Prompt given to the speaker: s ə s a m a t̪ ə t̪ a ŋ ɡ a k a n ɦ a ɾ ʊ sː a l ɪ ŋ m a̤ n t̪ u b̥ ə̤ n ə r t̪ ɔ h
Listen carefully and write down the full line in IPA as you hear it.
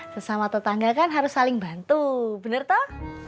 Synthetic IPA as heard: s ə s a m a t̪ ə t̪ a ŋ ɡ a k a n ɦ a ɾ ʊ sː a l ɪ ŋ b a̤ n t̪ u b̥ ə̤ n ə r t̪ ɔ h